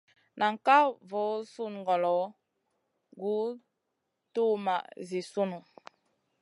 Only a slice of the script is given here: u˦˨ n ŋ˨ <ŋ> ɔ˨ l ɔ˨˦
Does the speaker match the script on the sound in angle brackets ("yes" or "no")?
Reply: no